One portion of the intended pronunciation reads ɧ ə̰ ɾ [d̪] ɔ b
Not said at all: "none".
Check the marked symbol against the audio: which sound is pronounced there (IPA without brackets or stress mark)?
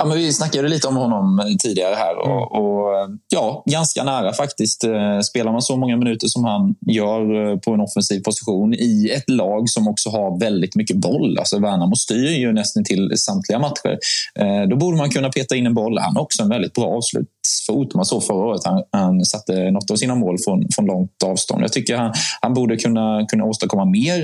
d̪